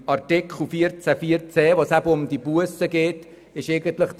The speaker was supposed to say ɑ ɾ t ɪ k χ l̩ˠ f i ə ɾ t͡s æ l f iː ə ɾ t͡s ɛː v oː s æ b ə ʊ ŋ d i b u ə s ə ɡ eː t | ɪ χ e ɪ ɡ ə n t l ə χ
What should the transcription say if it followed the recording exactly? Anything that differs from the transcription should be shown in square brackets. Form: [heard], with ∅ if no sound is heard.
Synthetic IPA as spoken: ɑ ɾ t ɪ k χ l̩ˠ f i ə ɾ t͡s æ [∅] f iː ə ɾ t͡s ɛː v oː s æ b ə ʊ [m] d i b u ə s ə ɡ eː t | ɪ [ʃ] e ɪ ɡ ə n t l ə χ

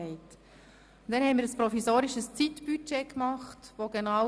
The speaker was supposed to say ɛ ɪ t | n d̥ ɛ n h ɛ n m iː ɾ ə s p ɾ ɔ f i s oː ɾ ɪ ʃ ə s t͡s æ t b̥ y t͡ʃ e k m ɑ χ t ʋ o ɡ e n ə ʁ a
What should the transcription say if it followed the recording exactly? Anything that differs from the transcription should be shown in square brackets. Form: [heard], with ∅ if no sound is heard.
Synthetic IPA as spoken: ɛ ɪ t | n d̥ ɛ n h ɛ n m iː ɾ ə s p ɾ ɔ f i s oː ɾ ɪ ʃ ə s t͡s [i] t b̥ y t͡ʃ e k m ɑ χ t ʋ o ɡ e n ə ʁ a

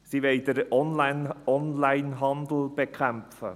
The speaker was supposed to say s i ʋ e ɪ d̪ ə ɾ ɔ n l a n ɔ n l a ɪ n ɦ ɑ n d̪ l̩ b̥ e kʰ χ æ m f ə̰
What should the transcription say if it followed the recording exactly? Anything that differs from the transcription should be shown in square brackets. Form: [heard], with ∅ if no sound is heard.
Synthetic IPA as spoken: s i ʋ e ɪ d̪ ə ɾ ɔ n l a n ɔ n l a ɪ n ɦ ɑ n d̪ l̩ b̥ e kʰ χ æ m f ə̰

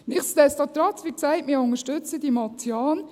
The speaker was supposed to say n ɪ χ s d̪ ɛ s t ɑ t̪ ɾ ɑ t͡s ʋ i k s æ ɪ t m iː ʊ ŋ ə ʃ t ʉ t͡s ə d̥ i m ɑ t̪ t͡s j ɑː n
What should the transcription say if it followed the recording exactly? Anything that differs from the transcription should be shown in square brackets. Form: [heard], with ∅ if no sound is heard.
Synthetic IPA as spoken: n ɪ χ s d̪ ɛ s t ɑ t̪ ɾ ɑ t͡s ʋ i k s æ ɪ t m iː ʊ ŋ ə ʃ t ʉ t͡s ə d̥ i m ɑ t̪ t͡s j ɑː n

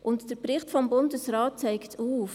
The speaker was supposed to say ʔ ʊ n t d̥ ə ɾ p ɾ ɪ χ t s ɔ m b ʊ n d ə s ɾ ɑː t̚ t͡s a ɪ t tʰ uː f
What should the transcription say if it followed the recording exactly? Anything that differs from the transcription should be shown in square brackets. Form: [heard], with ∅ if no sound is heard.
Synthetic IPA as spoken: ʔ ʊ n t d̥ ə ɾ p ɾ ɪ χ t [f] ɔ m b ʊ n d ə s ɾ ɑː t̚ t͡s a ɪ [k] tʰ uː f

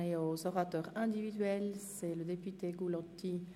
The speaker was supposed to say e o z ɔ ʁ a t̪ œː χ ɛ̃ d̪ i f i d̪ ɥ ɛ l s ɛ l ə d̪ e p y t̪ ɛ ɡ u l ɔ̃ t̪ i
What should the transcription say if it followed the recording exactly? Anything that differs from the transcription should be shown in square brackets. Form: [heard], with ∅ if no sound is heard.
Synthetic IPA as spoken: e o z ɔ ʁ a t̪ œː [ʁ] ɛ̃ d̪ i [v] i d̪ ɥ ɛ l s ɛ l ə d̪ e p y t̪ [e] ɡ u l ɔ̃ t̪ i

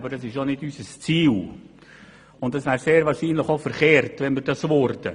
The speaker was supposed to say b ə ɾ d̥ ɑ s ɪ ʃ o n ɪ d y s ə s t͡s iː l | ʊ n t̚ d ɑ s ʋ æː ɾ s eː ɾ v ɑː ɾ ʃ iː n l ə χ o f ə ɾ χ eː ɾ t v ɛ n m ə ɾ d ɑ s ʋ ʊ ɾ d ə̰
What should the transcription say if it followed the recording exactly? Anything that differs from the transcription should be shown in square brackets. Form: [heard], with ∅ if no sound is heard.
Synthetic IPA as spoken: b ə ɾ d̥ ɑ s ɪ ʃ o n ɪ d y s ə s t͡s iː l | ʊ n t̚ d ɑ s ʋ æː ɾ s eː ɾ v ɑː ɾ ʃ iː n l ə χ o f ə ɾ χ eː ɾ t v ɛ n m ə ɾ d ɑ s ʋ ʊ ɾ d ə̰

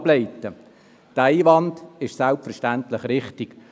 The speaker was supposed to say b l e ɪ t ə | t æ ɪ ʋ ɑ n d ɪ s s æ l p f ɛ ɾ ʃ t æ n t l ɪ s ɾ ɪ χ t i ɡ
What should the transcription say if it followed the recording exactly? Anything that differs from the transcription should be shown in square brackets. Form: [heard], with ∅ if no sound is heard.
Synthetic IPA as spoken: b l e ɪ t ə | t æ ɪ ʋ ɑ n d ɪ [ʃ] s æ l p f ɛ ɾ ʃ t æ n t l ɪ [χ] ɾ ɪ χ t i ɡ

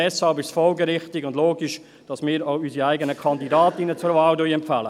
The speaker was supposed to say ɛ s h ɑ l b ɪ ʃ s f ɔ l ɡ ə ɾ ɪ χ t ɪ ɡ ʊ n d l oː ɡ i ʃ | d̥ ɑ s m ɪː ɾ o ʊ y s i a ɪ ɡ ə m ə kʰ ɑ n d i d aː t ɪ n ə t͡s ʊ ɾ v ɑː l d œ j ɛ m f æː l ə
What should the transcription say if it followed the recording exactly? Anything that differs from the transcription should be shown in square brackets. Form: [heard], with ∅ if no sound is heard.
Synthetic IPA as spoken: ɛ s h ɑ l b ɪ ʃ s f ɔ l ɡ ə ɾ ɪ χ t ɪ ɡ ʊ n d l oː ɡ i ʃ | d̥ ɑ s m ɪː ɾ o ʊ y s i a ɪ ɡ ə [n] ə kʰ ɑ n d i d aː t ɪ n ə t͡s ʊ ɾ v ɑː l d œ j ɛ m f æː l ə

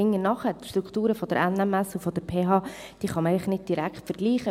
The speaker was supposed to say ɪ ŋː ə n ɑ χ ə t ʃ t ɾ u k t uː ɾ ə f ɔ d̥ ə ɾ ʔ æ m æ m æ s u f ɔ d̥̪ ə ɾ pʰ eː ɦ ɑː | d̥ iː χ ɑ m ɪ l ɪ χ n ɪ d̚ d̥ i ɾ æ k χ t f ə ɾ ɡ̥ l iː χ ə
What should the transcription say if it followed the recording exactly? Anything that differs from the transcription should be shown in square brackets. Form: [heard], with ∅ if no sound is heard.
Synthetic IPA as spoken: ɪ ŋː ə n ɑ χ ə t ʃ t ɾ u k t uː ɾ ə f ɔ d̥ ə ɾ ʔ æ [n] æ m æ s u f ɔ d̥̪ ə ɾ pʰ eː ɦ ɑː | d̥ iː χ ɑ m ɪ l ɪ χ n ɪ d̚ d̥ i ɾ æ k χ t f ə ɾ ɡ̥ l iː χ ə

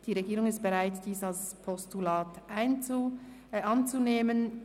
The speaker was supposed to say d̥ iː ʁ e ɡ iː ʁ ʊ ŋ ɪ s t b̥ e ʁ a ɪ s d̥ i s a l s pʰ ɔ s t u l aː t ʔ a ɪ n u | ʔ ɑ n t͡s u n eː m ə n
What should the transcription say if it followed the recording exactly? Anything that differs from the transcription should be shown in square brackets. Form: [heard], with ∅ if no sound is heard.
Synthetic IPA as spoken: d̥ iː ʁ e ɡ iː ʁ ʊ ŋ ɪ s t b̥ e ʁ a ɪ [t] d̥ [iː] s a l s pʰ ɔ s t u l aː t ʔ a ɪ n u | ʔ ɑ n t͡s u n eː m ə n

